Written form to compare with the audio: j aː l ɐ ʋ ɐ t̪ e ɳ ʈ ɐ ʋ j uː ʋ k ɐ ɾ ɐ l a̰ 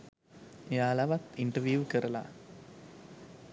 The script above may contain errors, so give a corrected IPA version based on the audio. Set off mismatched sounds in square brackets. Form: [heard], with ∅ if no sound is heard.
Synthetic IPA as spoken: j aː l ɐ ʋ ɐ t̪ [i] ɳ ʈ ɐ ʋ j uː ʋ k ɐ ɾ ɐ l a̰